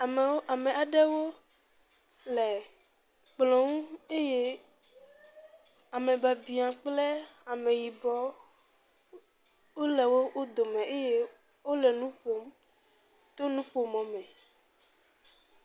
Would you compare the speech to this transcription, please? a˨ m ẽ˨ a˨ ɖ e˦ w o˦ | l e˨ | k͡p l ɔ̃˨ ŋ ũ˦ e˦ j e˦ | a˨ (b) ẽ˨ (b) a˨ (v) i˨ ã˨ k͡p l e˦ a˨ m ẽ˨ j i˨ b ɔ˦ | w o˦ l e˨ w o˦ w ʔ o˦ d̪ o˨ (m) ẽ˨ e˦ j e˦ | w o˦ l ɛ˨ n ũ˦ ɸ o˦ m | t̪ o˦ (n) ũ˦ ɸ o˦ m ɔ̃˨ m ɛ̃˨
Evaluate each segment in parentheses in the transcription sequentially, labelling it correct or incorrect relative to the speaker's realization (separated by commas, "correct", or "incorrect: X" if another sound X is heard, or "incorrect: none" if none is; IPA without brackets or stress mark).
incorrect: m, correct, incorrect: b, correct, correct